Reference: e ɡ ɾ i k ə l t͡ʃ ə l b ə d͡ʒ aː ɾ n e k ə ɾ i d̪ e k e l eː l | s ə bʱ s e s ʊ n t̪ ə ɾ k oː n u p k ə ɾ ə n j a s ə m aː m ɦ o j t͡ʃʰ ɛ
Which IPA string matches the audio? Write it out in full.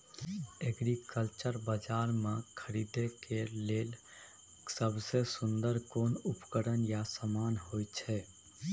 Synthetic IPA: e ɡ ɾ i k ə l t͡ʃ ə ɾ b ə d͡ʒ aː ɾ m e kʰ ə ɾ i d̪ e k e l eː l | s ə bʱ s e s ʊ n d̪ ə ɾ k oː n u p k ə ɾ ə n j a s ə m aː n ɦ o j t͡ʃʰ ɛ